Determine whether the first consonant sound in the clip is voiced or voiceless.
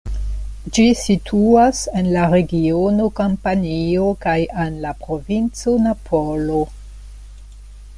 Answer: voiced